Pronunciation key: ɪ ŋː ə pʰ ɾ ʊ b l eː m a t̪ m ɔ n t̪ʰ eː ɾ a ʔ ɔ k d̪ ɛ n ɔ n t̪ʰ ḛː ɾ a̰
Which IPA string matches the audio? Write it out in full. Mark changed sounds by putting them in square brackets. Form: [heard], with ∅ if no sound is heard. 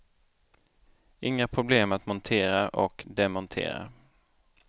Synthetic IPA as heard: ɪ ŋː [a] pʰ ɾ ʊ b l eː m a t̪ m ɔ n t̪ʰ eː ɾ a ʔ ɔ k d̪ ɛ [m] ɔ n t̪ʰ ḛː ɾ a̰